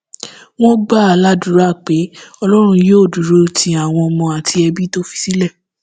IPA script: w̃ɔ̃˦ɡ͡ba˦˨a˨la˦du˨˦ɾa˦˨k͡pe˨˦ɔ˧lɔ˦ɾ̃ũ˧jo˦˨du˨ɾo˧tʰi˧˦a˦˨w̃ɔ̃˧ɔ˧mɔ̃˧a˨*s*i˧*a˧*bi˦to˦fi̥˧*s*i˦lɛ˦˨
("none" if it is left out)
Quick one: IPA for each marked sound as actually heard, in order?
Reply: t, ɛ˧, s

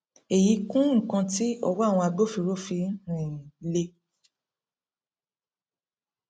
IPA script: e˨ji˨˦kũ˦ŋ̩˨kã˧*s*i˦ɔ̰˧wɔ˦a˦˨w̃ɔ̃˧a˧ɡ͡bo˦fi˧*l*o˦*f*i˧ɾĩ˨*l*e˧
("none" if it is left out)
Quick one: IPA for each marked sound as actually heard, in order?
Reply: t, ɾ, f, l

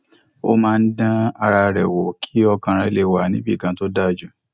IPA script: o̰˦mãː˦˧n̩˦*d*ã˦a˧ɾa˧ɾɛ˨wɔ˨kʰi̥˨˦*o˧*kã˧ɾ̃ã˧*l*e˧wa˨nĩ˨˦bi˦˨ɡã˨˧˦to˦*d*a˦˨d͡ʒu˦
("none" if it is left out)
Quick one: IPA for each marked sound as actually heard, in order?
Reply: d, ɔ˧, l, d

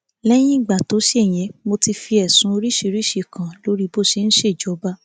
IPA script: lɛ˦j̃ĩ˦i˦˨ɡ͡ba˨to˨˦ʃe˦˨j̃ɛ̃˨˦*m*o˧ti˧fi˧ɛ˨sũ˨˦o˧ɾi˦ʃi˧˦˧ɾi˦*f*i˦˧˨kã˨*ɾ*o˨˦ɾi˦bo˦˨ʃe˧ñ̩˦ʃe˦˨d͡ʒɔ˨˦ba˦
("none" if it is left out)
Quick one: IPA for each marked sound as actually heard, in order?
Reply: m, ʃ, l

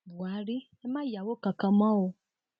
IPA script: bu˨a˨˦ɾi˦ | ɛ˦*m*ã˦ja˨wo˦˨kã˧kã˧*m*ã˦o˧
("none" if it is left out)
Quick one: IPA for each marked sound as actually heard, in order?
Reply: m, m

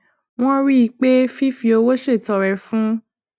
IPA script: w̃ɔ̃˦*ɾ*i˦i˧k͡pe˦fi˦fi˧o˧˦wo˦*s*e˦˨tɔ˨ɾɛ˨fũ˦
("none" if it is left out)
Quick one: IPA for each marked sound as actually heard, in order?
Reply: ɾ, ʃ

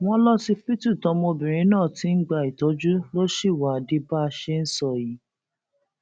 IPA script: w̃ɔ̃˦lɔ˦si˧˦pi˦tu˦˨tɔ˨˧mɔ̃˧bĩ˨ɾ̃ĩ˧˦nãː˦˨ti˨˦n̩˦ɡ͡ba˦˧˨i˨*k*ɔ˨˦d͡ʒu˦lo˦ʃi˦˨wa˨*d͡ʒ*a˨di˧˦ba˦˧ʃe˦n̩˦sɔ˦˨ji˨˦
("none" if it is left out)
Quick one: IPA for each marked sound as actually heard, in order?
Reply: t, none

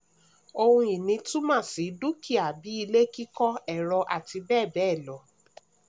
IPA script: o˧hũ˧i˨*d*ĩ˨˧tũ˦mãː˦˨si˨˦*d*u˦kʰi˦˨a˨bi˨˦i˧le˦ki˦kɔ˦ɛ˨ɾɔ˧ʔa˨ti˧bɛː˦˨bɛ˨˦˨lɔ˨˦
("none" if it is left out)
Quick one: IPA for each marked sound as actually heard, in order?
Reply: n, d

